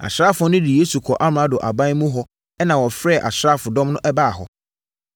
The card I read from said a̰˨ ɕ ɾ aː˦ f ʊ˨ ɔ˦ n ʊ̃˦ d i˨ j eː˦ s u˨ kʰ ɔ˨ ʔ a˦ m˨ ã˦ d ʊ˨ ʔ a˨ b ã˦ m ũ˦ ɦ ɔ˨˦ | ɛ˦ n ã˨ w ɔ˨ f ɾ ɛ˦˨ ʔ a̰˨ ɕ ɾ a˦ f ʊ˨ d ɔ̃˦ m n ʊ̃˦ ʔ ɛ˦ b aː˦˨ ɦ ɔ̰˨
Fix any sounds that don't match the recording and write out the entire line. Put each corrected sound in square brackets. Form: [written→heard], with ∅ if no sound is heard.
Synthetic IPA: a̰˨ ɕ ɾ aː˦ f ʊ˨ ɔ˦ n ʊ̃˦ d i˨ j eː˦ s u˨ kʰ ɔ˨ ʔ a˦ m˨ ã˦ d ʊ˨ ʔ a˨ b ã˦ m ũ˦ ɦ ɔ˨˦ | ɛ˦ n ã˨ w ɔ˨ f ɾ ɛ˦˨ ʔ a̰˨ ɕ ɾ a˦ f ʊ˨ d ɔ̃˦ m n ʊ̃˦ ʔ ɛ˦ b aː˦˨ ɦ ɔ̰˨

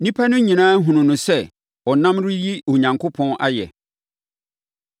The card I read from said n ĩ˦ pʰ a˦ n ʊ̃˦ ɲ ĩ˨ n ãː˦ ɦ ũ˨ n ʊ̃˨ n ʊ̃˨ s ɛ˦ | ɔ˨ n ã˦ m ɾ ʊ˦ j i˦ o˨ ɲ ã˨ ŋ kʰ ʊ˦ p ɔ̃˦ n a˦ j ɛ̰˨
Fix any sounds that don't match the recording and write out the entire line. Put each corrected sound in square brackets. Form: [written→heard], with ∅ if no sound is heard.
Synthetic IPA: n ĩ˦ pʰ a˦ n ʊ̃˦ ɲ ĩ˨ n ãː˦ ɦ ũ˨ n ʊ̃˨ n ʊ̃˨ s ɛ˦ | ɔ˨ n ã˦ m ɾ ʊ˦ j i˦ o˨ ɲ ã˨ ŋ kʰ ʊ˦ [p→pʰ] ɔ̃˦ n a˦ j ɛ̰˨

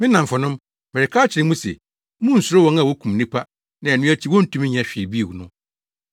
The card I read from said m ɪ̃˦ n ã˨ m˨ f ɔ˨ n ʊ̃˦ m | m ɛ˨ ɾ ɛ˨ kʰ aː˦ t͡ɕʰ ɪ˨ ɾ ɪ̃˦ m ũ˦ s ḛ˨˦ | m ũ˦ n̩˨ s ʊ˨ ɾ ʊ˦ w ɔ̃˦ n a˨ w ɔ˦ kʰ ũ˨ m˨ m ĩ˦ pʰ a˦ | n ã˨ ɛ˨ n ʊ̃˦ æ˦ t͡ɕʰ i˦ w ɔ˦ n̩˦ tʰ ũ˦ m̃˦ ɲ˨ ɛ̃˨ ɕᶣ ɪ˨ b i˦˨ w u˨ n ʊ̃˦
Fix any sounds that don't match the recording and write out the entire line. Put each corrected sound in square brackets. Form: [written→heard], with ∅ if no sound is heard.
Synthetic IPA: m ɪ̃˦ n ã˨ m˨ f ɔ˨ n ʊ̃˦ m | m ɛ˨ ɾ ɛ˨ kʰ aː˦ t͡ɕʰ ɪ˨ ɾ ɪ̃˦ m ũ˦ s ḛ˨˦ | m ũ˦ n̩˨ s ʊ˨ ɾ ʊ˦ w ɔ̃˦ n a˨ w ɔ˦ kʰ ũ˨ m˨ [m→n] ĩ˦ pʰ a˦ | n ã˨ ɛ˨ n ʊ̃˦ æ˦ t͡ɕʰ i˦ w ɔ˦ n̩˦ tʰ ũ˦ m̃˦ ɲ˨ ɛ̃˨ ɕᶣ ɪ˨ b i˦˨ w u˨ n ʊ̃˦

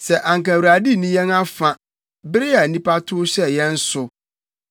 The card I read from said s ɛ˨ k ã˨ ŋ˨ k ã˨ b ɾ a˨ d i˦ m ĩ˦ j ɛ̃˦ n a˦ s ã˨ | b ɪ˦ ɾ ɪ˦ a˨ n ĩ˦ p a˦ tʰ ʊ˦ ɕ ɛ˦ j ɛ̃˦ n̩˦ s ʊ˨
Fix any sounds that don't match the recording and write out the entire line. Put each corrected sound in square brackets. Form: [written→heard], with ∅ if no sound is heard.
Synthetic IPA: s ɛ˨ [k→ʔ] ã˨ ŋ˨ k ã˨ [b→w] ɾ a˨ d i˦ [m→n] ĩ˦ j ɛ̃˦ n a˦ [s→f] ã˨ | b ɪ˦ ɾ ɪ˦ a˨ n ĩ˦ p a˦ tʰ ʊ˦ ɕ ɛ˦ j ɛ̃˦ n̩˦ s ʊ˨

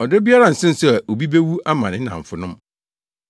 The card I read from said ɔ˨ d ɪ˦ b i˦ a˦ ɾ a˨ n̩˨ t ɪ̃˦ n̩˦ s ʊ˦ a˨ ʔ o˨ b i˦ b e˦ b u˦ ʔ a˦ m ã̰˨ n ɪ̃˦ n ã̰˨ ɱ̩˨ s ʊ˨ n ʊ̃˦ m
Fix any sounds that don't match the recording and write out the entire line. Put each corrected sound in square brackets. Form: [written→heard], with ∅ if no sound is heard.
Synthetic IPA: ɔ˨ d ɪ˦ b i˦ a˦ ɾ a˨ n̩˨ [t→s] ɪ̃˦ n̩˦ s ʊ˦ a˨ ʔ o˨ b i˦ b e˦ [b→w] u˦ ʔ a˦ m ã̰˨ n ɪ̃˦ n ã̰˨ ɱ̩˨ [s→f] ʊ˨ n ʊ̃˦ m

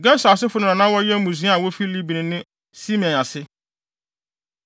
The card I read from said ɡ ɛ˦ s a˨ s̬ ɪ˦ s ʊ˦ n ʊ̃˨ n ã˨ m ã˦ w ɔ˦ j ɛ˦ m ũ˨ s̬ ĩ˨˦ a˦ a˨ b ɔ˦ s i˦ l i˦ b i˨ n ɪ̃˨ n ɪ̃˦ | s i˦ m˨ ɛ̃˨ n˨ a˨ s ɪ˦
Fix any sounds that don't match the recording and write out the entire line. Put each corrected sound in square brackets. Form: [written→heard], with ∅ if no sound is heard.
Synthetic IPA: ɡ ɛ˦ s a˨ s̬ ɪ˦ [s→f] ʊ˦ n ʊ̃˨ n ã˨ [m→n] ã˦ w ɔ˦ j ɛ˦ m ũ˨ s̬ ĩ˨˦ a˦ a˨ [b→w] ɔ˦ [s→f] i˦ l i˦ b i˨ n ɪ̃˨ n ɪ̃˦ | s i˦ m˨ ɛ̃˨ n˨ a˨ s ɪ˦

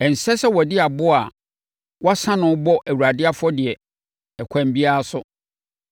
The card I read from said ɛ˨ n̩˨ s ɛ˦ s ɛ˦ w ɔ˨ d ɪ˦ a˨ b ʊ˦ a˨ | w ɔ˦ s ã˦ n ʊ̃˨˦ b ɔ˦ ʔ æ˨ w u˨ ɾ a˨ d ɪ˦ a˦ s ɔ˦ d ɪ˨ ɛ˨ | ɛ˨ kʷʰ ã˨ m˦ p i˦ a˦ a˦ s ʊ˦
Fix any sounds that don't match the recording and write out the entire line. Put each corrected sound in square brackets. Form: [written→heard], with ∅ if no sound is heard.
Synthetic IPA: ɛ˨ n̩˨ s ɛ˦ s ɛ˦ w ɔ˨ d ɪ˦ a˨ b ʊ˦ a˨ | w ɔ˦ s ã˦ n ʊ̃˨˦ b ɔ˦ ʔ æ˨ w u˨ ɾ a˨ d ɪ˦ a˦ [s→f] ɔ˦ d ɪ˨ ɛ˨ | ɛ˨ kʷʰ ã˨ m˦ [p→b] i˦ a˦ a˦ s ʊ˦

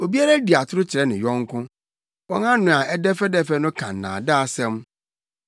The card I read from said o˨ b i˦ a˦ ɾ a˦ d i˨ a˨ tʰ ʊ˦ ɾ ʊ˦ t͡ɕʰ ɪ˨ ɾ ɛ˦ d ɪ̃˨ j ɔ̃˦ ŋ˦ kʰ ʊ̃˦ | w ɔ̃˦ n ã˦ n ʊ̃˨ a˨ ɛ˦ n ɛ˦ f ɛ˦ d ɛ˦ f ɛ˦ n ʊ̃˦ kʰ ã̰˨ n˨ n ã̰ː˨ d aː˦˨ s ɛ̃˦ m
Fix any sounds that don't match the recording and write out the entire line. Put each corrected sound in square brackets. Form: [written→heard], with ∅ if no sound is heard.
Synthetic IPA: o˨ b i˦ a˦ ɾ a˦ d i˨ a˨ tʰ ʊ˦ ɾ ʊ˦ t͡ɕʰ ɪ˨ ɾ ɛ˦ [d→n] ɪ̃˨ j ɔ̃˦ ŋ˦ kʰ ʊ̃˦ | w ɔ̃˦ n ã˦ n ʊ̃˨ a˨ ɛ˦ [n→d] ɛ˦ f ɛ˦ d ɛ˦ f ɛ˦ n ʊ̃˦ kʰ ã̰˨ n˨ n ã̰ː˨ d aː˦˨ s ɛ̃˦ m

